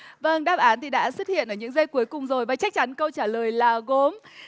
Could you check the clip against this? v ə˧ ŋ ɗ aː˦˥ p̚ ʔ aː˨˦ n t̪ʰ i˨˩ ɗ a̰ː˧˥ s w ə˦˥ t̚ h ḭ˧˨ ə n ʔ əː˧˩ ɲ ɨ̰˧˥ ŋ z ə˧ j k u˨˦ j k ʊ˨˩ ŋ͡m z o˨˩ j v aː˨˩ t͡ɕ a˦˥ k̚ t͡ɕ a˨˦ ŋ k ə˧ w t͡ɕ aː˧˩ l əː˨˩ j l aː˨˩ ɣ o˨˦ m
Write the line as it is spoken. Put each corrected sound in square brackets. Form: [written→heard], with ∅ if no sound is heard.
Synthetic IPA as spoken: v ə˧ ŋ ɗ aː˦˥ p̚ ʔ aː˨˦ n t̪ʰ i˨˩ ɗ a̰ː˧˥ s w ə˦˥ t̚ h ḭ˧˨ ə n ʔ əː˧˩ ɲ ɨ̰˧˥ ŋ z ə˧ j k u˨˦ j k ʊ˨˩ ŋ͡m z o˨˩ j v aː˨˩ t͡ɕ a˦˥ k̚ t͡ɕ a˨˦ [ŋ→n] k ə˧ w t͡ɕ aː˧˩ l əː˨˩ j l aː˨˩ ɣ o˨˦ m